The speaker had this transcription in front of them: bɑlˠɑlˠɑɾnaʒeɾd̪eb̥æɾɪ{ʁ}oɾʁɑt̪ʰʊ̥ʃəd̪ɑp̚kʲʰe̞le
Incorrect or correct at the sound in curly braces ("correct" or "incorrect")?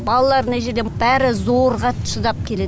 incorrect